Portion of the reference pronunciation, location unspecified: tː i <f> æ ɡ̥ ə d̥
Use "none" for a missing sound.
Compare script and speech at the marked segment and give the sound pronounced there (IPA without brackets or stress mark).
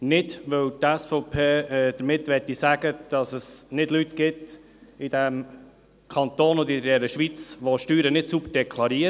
s